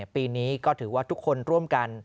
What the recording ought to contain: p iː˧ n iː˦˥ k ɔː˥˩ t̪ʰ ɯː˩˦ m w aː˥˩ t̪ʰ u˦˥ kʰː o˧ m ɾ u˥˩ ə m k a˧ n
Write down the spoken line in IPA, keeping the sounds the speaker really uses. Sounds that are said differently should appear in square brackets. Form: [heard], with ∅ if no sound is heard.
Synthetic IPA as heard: p iː˧ n iː˦˥ k ɔː˥˩ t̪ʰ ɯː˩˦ [∅] w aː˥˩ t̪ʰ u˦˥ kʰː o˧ [n] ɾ u˥˩ ə m k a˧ n